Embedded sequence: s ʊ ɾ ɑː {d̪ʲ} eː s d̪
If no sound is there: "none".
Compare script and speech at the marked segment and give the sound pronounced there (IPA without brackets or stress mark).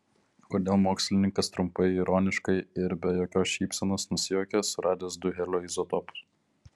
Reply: d̪ʲ